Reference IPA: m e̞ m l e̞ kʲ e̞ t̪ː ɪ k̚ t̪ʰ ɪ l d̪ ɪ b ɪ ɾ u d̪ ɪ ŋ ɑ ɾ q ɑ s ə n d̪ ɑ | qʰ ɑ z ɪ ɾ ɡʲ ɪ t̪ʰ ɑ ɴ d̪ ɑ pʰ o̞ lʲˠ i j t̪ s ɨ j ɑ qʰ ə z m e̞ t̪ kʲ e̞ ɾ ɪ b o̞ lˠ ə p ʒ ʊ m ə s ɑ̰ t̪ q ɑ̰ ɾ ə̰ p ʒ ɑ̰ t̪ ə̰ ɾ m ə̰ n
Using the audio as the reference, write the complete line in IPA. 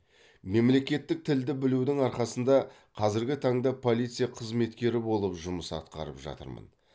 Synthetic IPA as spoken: m e̞ m l e̞ kʲ e̞ t̪ː ɪ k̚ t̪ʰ ɪ l d̪ ɪ b ɪ l u d̪ ɪ ŋ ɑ ɾ q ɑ s ə n d̪ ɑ | qʰ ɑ z ɪ ɾ ɡʲ ɪ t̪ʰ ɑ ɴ d̪ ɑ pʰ o̞ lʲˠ i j t̪ s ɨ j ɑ qʰ ə z m e̞ t̪ kʲ e̞ ɾ ɪ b o̞ lˠ ə p ʒ ʊ m ə s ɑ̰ t̪ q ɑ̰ ɾ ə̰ p ʒ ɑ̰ t̪ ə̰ ɾ m ə̰ n